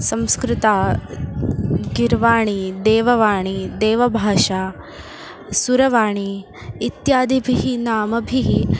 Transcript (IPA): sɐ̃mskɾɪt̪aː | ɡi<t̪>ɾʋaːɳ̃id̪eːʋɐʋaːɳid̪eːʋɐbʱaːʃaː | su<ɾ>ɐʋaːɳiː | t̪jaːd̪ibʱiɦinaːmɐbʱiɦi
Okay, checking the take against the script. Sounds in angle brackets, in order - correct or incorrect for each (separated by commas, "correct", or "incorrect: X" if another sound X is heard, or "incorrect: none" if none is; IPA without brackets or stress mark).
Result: incorrect: none, correct